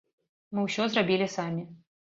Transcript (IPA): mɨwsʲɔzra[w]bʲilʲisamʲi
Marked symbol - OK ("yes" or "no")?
no